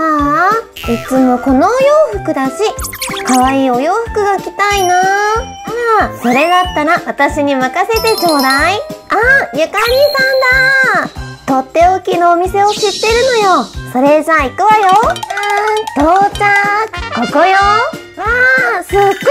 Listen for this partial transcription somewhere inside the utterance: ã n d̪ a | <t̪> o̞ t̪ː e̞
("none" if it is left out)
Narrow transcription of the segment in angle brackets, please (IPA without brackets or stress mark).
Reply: t̪